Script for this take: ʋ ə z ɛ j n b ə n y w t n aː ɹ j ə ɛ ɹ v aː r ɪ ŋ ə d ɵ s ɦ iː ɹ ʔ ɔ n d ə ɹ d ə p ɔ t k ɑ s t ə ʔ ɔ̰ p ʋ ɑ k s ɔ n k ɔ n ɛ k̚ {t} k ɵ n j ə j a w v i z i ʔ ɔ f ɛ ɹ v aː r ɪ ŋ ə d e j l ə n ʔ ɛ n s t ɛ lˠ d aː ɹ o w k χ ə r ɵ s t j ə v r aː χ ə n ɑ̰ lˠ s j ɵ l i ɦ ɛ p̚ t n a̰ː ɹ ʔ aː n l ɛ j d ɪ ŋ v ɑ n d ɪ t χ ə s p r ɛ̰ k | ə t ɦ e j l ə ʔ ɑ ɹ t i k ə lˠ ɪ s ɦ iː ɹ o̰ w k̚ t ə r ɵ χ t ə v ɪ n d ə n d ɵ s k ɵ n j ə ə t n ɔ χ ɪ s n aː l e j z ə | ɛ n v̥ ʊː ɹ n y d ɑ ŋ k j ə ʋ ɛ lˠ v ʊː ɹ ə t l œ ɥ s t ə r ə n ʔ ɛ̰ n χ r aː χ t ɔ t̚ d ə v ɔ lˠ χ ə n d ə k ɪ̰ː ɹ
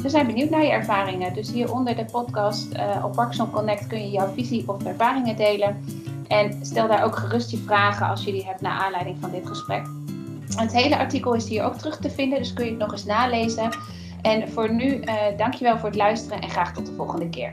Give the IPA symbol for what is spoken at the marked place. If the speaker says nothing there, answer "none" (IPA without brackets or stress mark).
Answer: t